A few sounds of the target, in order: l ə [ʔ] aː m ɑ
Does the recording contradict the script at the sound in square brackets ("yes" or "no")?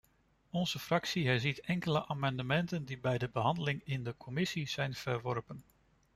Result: no